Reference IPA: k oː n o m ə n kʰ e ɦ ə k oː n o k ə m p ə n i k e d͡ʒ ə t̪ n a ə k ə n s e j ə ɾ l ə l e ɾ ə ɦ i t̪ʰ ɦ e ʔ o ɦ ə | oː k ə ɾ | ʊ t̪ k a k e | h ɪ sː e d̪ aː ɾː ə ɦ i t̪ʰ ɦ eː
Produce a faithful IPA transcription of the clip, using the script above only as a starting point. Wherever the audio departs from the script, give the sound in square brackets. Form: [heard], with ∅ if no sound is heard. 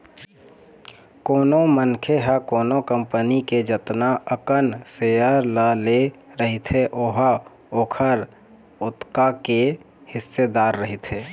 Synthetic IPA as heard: k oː n o m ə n kʰ e ɦ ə k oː n o k ə m p ə n i k e d͡ʒ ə t̪ n a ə k ə n s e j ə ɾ l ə l e ɾ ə ɦ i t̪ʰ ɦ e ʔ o ɦ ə | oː [kʰ] ə ɾ | ʊ t̪ k a k e | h ɪ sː e d̪ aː ɾː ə ɦ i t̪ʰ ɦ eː